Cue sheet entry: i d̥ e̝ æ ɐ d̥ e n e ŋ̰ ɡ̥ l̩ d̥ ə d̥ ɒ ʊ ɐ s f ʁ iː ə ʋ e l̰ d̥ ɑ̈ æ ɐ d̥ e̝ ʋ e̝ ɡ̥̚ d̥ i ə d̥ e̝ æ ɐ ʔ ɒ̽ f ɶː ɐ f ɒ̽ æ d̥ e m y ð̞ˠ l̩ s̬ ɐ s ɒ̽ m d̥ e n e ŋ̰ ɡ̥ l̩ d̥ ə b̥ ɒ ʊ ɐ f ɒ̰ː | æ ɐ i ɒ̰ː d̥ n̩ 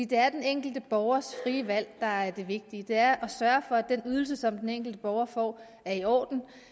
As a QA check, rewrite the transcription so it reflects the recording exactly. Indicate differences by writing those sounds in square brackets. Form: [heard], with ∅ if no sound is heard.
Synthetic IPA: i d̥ e̝ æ ɐ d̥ e n e ŋ̰ ɡ̥ l̩ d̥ ə [b̥] ɒ ʊ ɐ s f ʁ iː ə ʋ [æ] l̰ d̥ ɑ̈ æ ɐ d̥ e̝ ʋ e̝ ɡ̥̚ d̥ i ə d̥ e̝ æ ɐ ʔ ɒ̽ [s] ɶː ɐ f ɒ̽ æ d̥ e [n] y ð̞ˠ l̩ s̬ [ə] s ɒ̽ m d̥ e n e ŋ̰ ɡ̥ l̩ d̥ ə b̥ ɒ ʊ ɐ f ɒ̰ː | æ ɐ i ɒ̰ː d̥ n̩